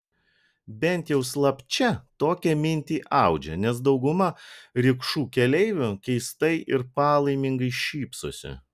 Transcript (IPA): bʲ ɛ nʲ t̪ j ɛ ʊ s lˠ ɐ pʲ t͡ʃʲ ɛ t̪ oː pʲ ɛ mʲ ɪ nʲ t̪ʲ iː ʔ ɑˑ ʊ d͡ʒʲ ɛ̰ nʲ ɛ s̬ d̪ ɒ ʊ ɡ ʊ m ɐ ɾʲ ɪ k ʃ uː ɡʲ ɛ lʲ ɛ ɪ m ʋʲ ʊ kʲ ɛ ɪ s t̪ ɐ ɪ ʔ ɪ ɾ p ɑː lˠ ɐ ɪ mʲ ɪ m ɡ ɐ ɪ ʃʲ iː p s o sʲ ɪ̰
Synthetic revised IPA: bʲ ɛ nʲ t̪ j ɛ ʊ s lˠ ɐ pʲ t͡ʃʲ ɛ t̪ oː kʲ ɛ mʲ ɪ nʲ t̪ʲ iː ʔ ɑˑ ʊ d͡ʒʲ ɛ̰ nʲ ɛ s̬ d̪ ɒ ʊ ɡ ʊ m ɐ ɾʲ ɪ k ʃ uː kʲ ɛ lʲ ɛ ɪ ʋʲ ʊ kʲ ɛ ɪ s t̪ ɐ ɪ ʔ ɪ ɾ p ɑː lˠ ɐ ɪ mʲ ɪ ŋ ɡ ɐ ɪ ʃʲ iː p s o sʲ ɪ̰